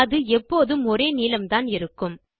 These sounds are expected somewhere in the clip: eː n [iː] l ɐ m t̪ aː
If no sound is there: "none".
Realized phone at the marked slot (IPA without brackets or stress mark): iː